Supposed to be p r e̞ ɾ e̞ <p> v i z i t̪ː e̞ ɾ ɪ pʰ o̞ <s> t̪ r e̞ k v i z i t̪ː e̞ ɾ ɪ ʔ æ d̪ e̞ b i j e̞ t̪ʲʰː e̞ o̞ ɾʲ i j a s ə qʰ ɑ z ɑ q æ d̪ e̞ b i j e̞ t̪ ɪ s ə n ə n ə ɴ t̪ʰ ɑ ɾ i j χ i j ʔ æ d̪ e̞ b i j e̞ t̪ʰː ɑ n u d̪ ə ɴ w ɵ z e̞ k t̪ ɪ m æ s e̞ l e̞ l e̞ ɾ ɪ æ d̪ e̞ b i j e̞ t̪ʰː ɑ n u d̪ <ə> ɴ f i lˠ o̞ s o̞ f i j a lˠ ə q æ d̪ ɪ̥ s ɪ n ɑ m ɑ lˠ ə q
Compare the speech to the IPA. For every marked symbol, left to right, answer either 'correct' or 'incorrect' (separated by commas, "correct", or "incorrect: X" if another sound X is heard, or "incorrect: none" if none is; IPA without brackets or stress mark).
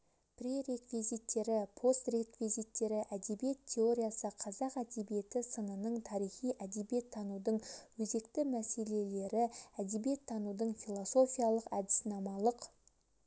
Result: incorrect: k, correct, correct